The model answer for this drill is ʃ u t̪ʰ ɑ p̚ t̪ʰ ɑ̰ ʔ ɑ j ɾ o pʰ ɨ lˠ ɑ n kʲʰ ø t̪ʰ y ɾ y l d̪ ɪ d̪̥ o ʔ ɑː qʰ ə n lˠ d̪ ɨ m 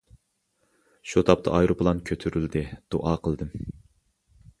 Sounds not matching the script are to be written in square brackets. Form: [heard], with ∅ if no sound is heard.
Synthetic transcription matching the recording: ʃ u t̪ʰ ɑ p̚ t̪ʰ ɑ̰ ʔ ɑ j ɾ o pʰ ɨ lˠ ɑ n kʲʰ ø t̪ʰ y ɾ y l d̪ ɪ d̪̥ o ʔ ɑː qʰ ə [∅] lˠ d̪ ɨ m